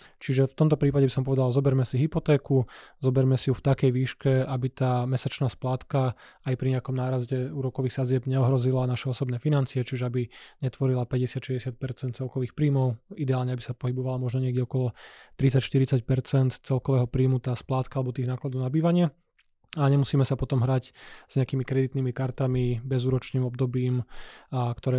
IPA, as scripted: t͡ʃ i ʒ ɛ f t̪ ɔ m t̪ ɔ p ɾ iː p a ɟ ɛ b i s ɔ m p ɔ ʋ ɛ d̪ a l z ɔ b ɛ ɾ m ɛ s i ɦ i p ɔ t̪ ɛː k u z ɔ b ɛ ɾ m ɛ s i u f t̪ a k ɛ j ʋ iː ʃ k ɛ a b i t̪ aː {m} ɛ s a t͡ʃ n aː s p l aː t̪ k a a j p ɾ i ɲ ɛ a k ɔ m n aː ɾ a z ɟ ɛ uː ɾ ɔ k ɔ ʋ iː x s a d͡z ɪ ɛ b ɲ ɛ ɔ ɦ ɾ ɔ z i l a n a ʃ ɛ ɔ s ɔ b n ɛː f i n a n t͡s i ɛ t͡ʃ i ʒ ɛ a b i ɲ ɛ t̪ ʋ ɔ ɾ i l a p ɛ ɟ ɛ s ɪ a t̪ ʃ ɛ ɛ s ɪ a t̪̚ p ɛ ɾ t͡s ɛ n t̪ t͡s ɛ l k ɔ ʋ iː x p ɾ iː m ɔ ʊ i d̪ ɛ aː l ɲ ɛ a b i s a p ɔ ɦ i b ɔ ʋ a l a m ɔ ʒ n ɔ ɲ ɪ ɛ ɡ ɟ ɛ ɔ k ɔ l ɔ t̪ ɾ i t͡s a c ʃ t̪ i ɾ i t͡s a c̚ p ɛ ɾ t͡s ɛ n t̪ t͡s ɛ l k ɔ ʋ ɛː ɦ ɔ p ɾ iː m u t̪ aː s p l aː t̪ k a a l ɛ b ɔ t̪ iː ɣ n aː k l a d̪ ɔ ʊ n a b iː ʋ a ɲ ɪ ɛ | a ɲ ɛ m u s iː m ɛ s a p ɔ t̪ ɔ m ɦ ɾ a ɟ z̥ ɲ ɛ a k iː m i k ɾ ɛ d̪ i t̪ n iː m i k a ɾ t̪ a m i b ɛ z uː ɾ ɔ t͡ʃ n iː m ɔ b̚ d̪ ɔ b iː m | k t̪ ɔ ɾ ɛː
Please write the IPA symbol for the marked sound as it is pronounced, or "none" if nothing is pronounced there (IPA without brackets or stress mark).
m